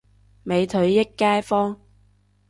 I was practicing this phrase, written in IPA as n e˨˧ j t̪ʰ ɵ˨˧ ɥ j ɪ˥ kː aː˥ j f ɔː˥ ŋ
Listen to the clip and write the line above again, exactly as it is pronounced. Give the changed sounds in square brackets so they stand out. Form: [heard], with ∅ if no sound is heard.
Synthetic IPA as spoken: [m] e˨˧ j t̪ʰ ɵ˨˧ ɥ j ɪ˥ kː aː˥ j f ɔː˥ ŋ